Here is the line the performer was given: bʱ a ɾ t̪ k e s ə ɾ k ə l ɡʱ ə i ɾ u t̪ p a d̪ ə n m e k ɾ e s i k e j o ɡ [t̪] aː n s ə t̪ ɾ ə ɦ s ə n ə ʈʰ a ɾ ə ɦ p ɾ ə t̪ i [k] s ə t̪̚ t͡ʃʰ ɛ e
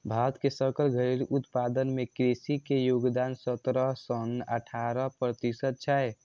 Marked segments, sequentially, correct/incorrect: incorrect: d̪, incorrect: none

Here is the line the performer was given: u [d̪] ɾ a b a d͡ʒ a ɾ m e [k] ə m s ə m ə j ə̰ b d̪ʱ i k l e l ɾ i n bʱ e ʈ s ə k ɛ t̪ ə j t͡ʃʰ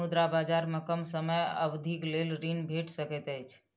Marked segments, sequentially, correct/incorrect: correct, correct

